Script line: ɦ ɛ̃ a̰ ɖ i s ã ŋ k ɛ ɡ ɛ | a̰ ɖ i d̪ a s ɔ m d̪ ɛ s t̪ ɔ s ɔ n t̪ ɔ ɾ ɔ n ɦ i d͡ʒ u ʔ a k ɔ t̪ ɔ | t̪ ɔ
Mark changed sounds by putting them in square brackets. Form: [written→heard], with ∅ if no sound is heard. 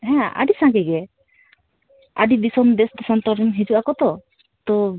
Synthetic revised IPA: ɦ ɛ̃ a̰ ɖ i s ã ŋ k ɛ ɡ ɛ | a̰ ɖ i d̪ [a→i] s ɔ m d̪ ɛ s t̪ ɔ s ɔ n t̪ ɔ ɾ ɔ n ɦ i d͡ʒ u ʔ a k ɔ t̪ ɔ | t̪ ɔ